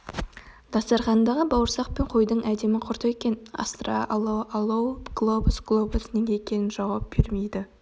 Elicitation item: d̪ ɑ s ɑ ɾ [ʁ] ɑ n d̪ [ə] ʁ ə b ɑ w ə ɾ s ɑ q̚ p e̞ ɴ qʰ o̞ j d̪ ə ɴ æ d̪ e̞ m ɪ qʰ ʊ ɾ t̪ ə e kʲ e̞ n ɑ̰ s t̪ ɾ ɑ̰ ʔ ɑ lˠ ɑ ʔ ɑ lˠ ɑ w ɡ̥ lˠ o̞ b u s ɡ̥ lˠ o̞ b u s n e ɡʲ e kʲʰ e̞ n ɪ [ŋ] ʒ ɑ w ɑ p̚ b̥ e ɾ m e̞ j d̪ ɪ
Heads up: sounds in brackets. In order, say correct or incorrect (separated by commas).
incorrect, incorrect, incorrect